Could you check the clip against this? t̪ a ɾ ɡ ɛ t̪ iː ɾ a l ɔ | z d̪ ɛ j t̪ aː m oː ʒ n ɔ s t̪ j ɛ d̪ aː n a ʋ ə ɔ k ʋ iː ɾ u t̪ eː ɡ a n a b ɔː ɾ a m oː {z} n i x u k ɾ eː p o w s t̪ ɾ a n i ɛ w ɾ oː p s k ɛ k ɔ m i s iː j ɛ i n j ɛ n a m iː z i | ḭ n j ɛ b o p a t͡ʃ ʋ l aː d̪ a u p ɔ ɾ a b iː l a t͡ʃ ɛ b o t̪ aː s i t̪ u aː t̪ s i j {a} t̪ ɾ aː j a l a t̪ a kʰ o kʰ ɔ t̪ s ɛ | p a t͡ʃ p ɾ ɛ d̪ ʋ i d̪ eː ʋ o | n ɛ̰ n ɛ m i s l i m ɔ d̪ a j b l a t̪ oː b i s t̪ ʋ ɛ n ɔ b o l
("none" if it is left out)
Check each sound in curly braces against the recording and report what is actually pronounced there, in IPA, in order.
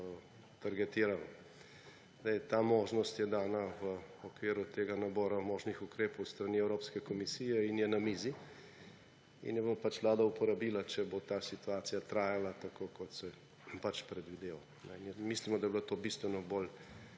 ʒ, a

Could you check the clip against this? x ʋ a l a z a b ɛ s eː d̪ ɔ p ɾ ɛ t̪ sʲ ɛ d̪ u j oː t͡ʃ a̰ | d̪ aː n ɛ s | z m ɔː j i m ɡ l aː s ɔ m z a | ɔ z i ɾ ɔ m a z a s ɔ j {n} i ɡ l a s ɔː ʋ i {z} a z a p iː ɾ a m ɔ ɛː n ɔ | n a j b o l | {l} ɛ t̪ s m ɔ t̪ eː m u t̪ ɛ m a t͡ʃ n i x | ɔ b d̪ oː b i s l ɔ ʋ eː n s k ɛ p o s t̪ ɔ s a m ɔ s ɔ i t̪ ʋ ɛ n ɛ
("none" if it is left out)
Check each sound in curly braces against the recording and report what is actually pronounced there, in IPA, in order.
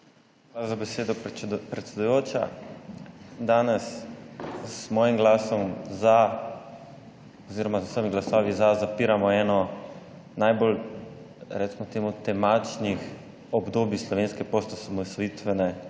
m, z, ɾ

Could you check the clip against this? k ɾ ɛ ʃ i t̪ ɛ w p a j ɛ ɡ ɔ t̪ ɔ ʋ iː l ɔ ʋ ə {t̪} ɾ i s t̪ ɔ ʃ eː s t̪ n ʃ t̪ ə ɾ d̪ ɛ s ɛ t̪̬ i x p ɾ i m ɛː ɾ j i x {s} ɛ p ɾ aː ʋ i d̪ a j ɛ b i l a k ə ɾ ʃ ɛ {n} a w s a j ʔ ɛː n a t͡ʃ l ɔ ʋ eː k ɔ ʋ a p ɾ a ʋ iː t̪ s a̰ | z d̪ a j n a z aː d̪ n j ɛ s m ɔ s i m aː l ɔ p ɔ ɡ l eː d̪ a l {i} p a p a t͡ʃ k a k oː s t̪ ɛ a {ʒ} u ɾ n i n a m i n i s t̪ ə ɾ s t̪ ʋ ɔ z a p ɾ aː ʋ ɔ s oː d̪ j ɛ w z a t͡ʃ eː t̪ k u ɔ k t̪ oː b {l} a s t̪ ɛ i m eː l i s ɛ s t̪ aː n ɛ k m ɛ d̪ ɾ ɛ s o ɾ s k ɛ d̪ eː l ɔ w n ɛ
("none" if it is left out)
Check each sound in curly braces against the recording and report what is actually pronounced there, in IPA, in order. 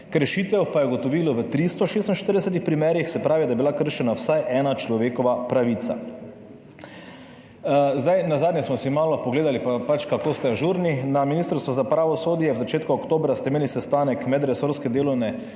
t̪, s, n, i, ʒ, ɾ

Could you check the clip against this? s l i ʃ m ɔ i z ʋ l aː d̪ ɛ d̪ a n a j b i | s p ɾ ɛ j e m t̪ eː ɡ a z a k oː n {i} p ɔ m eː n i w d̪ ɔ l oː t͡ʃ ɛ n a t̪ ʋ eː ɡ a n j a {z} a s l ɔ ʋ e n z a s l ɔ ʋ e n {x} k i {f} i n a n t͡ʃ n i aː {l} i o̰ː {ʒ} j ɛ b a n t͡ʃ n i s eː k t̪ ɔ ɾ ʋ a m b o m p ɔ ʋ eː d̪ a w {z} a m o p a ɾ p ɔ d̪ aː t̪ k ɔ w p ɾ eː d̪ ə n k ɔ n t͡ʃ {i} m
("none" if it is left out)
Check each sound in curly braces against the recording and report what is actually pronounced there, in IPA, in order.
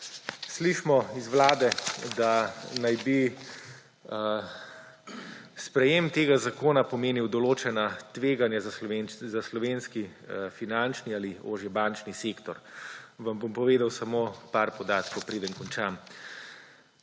a, z, s, f, l, ʒ, s, a

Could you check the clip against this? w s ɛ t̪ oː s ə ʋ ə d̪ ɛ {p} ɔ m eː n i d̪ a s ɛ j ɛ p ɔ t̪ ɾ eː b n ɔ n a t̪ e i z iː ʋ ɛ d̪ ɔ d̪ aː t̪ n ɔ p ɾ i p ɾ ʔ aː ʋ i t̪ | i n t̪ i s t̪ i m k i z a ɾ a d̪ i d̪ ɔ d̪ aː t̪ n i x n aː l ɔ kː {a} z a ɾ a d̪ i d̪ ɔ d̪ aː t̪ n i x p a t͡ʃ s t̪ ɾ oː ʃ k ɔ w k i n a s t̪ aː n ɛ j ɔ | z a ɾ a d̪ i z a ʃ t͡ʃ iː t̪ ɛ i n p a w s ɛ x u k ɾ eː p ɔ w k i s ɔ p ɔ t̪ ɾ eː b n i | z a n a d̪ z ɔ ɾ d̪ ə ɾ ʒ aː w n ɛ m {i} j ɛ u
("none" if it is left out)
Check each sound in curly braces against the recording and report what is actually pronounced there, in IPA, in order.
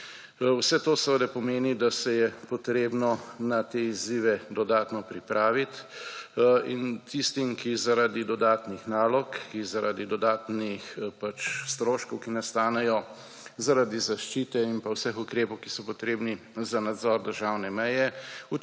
p, i, ɛ

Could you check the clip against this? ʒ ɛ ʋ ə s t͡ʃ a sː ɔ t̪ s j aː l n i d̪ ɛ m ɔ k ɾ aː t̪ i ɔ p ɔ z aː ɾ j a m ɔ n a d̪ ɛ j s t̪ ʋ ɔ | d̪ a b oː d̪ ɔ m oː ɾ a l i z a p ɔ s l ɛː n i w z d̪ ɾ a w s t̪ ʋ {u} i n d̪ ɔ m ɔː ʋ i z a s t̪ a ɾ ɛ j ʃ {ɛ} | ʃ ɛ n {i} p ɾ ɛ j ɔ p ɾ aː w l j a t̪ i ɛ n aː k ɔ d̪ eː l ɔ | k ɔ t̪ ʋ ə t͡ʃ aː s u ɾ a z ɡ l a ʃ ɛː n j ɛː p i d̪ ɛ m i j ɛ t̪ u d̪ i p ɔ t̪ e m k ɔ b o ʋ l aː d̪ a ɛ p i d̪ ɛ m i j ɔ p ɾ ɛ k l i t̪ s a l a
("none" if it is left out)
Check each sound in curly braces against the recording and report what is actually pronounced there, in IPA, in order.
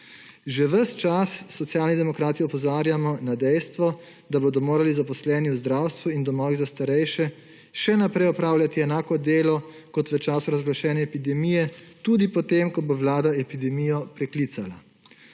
u, ɛ, a

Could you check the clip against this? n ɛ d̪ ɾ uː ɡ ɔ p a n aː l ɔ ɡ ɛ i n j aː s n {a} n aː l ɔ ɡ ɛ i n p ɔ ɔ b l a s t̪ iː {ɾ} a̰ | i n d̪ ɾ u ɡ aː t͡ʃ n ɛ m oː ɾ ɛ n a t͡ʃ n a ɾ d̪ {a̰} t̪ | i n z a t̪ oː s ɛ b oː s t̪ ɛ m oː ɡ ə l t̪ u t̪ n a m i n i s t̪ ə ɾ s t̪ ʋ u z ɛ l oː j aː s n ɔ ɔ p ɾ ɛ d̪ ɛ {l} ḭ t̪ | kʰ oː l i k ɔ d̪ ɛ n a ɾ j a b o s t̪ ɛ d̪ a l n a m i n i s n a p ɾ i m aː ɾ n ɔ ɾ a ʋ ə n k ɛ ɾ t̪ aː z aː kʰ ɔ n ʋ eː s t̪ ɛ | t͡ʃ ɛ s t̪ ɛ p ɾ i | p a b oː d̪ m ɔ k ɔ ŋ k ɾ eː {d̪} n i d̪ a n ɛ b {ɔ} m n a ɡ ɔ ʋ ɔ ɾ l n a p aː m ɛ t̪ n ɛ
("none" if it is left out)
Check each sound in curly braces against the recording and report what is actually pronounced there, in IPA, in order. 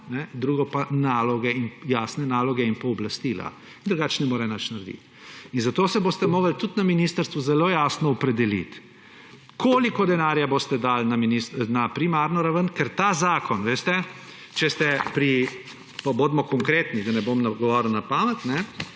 ɛ, l, ḭ, l, t̪, o

